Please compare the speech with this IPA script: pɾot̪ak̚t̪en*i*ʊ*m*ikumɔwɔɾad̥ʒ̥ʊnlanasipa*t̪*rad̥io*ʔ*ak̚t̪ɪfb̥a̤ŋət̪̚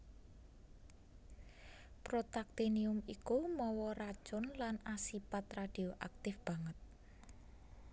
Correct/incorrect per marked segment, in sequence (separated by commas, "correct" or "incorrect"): correct, correct, correct, correct